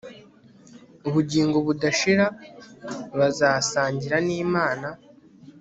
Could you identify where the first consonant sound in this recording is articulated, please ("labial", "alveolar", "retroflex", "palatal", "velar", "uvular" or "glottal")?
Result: labial